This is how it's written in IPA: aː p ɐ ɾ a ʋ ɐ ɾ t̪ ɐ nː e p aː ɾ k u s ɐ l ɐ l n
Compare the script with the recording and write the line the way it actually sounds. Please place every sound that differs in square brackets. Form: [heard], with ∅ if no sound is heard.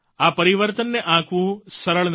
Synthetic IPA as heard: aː p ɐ ɾ [i] ʋ ɐ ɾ t̪ ɐ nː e [ʔ] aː [∅] k u s ɐ [ɾ] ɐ [ɭ] n

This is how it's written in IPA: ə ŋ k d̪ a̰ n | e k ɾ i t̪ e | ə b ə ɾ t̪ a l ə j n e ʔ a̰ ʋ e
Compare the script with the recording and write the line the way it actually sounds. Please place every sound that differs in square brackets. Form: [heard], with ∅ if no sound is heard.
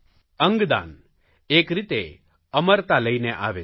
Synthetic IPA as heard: ə ŋ [ɡ] d̪ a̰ n | e k ɾ i t̪ e | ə [m] ə ɾ t̪ a l ə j n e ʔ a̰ ʋ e

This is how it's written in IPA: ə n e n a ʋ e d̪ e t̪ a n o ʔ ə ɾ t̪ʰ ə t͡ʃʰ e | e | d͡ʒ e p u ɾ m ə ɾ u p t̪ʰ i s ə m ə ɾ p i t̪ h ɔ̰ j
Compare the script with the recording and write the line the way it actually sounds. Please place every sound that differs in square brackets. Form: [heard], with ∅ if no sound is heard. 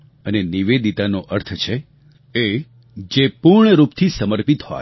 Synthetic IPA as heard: ə n e n [i] ʋ e d̪ [i] t̪ a n o ʔ ə ɾ t̪ʰ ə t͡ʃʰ e | e | d͡ʒ e p u ɾ [ɳ] ə ɾ u p t̪ʰ i s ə m ə ɾ p i t̪ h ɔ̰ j

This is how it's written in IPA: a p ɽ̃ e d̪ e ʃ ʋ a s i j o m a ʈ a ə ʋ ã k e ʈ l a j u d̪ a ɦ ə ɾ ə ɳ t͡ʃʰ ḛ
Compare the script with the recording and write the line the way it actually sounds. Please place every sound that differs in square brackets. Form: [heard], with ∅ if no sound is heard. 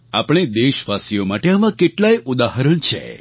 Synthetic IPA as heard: a p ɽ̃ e d̪ e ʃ ʋ a s i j o m a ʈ [e] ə ʋ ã k e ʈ l a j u d̪ a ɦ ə ɾ ə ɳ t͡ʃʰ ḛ

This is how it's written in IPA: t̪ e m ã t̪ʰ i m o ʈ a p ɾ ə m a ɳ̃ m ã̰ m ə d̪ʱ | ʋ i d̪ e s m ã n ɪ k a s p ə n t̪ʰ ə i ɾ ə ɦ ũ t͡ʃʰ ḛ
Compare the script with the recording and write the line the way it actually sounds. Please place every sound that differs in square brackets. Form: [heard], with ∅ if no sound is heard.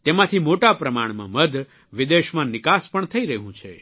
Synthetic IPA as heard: t̪ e m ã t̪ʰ i m o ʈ a p ɾ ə m a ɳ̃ m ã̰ m ə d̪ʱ | ʋ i d̪ e [ʃ] m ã n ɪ k a s p ə [ɳ] t̪ʰ ə i ɾ ə ɦ ũ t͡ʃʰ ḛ

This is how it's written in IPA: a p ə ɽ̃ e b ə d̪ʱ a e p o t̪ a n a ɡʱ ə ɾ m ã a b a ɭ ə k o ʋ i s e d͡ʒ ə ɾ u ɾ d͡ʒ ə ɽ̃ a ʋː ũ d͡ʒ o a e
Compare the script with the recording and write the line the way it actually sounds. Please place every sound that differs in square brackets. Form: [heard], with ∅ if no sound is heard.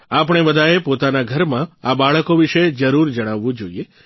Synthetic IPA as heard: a p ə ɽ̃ e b ə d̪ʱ a e p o t̪ a n a ɡʱ ə ɾ m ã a b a ɭ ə k o ʋ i [ʃ] e d͡ʒ ə ɾ u ɾ d͡ʒ ə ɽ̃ a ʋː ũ d͡ʒ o [i] e

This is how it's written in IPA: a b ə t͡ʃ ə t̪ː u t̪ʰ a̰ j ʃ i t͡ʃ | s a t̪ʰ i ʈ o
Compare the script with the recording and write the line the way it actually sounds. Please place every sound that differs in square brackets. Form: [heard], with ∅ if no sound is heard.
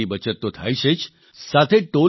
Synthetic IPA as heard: [i] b ə t͡ʃ ə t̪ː [o] t̪ʰ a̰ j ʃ [e] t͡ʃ | s a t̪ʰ [e] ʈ o

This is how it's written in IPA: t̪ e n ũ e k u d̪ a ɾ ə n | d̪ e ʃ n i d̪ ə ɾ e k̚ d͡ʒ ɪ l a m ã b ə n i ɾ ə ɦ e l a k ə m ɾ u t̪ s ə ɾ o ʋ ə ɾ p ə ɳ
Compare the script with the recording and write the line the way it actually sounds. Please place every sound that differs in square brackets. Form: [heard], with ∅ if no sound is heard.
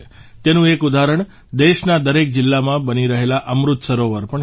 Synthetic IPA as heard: t̪ e n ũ e k u d̪ a ɾ ə [ɳ] | d̪ e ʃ n [a] d̪ ə ɾ e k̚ d͡ʒ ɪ [lː] a m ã b ə n i ɾ ə ɦ e l a [ʔ] ə m ɾ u t̪ s ə ɾ o ʋ ə ɾ p ə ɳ

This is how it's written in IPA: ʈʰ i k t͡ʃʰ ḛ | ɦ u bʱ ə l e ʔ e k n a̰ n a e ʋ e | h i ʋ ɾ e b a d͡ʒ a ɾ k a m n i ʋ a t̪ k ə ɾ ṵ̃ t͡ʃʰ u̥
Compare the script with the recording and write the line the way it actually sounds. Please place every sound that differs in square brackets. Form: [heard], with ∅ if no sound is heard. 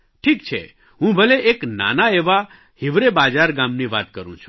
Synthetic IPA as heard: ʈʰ i k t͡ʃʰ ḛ | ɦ [ũ] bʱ ə l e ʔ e k n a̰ n a e ʋ [a] | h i ʋ ɾ e b a d͡ʒ a ɾ [ɡ] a m n i ʋ a t̪ k ə ɾ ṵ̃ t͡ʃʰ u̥

